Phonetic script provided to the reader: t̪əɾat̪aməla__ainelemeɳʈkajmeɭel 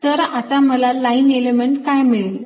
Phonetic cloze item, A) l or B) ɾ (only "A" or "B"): A